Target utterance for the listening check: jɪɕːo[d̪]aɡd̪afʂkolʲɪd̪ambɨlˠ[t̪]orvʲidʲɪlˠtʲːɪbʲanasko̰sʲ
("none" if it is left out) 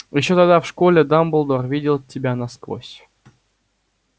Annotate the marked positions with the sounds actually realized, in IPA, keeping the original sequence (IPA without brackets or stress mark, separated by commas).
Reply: t̪, d̪